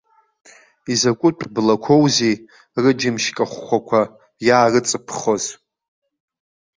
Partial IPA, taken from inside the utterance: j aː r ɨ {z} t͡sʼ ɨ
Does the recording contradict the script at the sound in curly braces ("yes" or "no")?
yes